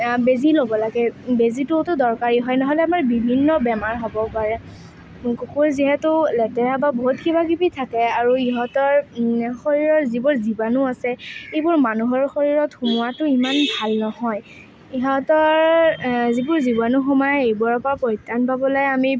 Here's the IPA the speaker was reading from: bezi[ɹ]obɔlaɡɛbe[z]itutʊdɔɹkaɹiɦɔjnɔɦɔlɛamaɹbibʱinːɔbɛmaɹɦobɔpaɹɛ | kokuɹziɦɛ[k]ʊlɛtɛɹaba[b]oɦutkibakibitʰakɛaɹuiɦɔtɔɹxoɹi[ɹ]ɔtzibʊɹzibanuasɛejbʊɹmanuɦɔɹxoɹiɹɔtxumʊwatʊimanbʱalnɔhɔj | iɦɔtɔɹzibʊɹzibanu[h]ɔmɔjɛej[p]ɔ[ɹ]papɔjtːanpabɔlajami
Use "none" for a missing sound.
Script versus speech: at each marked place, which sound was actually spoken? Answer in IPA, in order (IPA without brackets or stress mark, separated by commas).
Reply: l, z, t, b, ɹ, x, b, ɹ